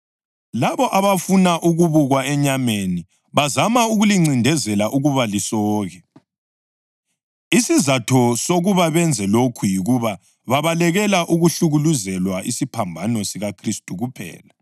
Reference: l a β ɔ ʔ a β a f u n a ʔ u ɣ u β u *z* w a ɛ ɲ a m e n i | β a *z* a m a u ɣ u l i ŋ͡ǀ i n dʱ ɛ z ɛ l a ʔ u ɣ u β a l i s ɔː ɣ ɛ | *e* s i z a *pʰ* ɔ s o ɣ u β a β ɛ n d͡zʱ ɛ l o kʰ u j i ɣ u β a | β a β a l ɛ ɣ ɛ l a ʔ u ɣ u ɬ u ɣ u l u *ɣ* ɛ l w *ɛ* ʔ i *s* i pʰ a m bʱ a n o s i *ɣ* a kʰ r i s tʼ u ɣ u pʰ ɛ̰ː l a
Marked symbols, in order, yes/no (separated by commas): no, yes, no, no, no, no, yes, yes